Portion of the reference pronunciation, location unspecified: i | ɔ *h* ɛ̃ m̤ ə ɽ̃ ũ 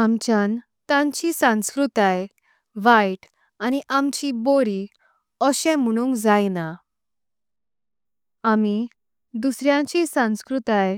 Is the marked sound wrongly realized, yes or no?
yes